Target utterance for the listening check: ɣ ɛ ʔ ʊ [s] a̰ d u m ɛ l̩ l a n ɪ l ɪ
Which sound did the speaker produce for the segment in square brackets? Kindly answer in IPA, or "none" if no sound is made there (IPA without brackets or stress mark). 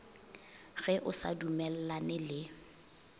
s